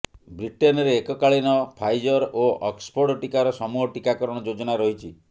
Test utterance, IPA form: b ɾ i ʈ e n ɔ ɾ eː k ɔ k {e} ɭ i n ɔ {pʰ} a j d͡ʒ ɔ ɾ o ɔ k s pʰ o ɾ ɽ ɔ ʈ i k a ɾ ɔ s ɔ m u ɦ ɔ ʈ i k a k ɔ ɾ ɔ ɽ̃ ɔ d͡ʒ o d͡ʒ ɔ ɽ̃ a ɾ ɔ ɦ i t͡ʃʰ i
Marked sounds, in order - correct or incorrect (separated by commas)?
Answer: incorrect, correct